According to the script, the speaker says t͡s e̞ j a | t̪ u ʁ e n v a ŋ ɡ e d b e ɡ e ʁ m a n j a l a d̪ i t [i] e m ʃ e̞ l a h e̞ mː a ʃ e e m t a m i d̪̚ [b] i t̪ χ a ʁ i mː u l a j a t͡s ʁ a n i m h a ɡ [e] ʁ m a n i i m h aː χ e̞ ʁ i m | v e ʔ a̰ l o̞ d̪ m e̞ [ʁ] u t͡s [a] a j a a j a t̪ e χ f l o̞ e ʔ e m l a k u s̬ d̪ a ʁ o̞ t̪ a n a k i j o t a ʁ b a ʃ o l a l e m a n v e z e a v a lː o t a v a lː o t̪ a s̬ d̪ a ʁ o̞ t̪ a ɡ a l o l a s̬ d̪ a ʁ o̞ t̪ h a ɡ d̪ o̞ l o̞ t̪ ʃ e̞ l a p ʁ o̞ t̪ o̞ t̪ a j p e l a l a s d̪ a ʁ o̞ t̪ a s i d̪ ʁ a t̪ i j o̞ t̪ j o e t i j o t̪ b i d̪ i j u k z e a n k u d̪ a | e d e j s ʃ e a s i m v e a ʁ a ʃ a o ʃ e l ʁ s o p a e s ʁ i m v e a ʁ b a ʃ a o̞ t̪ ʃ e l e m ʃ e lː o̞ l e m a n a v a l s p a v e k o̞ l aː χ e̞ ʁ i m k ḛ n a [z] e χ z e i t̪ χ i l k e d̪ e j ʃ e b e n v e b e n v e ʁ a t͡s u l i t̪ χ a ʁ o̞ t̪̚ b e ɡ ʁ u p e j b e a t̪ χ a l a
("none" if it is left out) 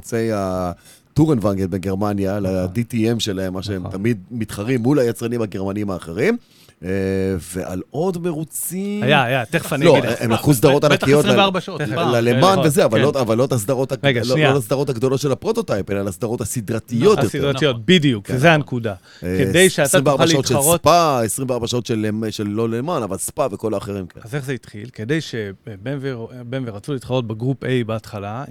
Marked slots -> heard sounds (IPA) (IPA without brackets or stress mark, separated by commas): i, m, e, ʁ, i, z